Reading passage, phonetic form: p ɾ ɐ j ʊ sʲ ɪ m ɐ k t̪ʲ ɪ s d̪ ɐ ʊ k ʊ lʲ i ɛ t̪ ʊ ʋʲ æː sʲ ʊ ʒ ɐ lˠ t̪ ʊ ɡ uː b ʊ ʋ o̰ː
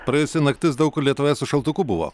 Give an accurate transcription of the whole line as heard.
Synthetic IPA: p ɾ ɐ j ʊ sʲ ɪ n ɐ k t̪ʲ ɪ s d̪ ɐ ʊ k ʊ lʲ i ɛ t̪ ʊ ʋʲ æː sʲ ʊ ʃ ɐ lˠ t̪ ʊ k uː b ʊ ʋ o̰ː